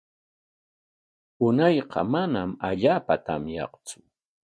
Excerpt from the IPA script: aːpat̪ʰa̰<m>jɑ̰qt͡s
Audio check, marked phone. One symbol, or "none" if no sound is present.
m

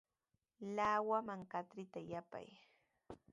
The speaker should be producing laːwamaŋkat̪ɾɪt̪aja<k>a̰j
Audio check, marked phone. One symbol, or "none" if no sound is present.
p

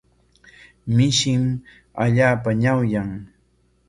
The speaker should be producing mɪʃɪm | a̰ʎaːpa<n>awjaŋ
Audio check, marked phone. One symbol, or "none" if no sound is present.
ɲ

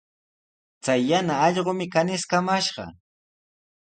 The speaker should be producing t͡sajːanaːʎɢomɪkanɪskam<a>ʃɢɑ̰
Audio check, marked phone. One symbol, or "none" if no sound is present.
a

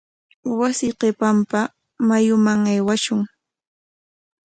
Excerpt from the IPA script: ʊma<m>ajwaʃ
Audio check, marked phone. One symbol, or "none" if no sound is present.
ŋ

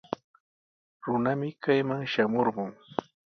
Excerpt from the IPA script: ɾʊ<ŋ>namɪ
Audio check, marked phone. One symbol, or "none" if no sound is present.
none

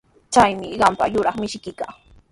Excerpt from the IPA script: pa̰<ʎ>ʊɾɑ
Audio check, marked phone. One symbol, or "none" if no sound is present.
j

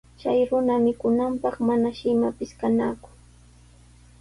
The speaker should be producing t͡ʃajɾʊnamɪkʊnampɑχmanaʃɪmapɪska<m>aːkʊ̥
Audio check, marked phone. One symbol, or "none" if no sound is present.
n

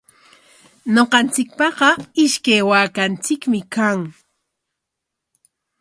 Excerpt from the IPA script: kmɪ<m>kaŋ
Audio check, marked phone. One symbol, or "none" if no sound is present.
none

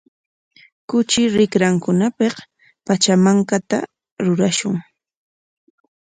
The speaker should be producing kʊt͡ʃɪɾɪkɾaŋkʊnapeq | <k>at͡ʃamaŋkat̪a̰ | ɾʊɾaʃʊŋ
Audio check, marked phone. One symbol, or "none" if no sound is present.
p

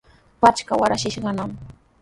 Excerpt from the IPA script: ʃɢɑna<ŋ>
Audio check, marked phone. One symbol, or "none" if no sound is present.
m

